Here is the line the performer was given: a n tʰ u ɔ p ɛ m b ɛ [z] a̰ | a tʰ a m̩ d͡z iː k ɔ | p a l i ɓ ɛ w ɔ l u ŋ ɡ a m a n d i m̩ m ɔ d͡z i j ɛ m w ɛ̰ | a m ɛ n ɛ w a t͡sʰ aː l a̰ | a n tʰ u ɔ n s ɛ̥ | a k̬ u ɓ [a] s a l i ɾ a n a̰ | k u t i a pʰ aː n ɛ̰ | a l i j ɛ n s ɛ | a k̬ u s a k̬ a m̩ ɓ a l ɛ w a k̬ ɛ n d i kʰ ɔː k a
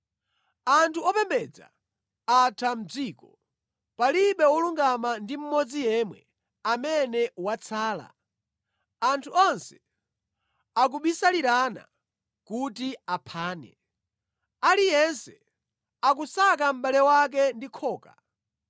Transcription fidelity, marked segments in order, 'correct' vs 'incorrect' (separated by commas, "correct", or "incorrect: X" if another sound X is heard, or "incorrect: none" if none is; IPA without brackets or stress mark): incorrect: d͡z, incorrect: i